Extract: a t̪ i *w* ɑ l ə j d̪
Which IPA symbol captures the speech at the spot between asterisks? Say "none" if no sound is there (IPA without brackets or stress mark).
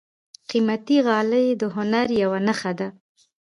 ɣ